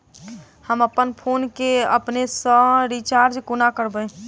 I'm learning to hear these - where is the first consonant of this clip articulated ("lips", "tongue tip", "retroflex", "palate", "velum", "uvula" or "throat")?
throat